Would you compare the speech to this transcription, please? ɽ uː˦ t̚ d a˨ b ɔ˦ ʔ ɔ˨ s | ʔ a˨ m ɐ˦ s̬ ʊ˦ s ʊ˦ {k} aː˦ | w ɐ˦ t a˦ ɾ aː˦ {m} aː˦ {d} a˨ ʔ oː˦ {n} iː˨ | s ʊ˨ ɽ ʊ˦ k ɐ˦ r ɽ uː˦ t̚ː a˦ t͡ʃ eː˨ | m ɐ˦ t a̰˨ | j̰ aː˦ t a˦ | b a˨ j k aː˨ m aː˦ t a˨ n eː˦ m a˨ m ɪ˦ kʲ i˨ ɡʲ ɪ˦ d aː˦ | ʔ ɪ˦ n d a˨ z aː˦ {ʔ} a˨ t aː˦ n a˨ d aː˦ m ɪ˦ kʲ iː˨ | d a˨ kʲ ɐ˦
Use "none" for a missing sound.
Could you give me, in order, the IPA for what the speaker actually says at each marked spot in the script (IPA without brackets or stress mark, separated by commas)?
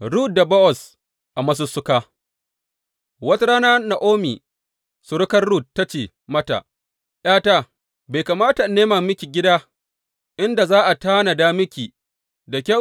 k, n, n, m, ʔ